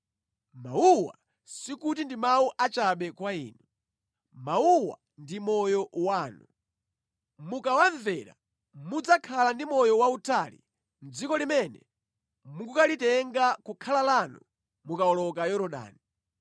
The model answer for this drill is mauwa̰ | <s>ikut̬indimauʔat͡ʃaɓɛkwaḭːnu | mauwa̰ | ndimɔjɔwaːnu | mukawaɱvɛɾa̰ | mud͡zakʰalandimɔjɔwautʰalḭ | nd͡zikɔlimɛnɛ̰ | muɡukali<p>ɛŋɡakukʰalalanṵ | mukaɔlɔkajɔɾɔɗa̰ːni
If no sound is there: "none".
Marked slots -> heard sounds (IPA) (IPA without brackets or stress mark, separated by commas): s, t